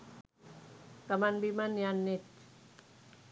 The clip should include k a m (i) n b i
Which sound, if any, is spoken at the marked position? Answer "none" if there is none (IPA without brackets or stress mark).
a